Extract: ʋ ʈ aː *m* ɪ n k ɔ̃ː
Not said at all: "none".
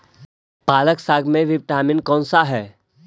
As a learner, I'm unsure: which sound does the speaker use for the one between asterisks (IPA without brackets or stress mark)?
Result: m